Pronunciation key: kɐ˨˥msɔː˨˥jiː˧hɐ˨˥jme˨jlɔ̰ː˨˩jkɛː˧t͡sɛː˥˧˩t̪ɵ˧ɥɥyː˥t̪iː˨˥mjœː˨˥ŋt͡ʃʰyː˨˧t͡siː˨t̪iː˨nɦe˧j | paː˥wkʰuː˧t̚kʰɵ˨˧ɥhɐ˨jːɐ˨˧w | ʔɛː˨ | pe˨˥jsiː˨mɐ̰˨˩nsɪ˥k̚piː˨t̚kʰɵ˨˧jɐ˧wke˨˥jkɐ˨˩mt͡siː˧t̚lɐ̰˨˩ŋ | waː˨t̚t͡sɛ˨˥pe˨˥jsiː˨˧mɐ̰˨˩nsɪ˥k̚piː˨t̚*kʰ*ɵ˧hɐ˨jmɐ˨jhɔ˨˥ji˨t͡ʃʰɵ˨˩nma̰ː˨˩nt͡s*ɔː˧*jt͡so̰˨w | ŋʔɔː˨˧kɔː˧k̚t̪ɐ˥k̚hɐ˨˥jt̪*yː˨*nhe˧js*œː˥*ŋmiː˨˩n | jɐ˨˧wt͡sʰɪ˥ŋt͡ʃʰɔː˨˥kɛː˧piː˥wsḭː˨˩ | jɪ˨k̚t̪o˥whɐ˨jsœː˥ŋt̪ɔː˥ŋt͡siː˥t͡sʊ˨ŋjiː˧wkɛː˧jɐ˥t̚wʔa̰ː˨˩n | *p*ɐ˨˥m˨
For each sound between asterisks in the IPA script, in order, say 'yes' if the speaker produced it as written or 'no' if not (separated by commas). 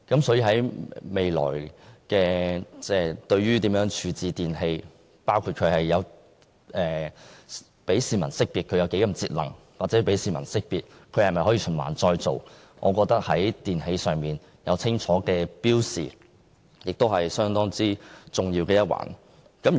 yes, yes, no, no, no